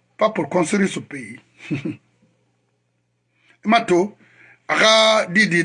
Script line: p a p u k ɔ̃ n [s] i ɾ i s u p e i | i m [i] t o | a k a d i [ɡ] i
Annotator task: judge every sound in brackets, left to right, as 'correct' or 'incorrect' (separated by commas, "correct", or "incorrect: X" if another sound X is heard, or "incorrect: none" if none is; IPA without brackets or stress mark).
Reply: correct, incorrect: a, incorrect: d